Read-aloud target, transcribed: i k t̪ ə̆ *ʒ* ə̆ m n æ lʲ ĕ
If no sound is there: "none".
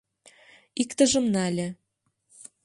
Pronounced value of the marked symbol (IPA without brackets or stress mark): ʒ